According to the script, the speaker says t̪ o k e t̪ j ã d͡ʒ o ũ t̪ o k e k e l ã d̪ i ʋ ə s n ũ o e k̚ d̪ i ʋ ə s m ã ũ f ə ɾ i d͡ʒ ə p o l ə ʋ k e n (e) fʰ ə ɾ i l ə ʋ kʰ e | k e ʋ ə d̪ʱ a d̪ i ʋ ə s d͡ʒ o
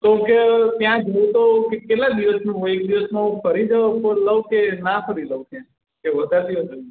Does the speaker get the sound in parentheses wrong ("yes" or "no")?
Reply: yes